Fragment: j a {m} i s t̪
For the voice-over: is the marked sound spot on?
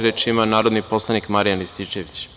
no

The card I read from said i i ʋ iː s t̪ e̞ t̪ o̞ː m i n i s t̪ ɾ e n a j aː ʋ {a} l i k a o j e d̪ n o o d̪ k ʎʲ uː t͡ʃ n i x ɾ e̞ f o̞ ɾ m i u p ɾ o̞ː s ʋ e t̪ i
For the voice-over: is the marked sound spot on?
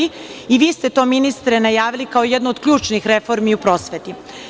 no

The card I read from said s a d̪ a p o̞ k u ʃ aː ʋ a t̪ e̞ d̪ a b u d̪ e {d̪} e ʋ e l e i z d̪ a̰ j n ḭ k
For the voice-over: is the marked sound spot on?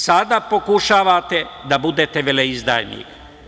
no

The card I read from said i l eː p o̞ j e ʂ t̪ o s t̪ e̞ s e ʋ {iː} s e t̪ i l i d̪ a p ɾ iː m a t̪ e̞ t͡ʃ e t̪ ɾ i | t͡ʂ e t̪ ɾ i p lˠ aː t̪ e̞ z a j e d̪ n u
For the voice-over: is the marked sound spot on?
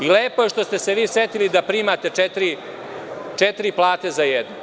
yes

